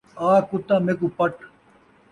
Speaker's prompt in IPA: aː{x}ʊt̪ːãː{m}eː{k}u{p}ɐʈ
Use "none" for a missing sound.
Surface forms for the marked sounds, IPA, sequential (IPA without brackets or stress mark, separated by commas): k, m, k, p